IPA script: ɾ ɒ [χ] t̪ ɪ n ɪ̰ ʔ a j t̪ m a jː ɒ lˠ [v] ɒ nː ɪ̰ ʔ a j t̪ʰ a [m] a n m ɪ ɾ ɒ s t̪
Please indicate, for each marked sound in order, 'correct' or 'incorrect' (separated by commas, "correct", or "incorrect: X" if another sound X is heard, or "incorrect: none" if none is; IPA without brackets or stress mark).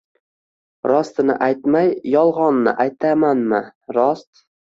incorrect: s, incorrect: ʁ, correct